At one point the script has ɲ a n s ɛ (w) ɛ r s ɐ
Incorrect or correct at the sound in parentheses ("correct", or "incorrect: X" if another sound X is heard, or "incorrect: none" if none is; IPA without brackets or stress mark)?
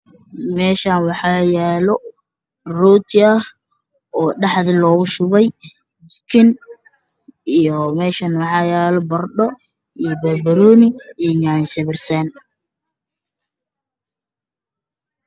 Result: incorrect: β